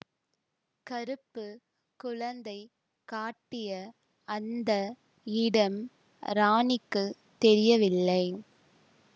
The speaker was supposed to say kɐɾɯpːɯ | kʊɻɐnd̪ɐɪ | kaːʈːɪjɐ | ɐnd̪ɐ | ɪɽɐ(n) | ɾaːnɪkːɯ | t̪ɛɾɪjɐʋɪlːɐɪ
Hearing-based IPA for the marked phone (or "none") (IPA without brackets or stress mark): m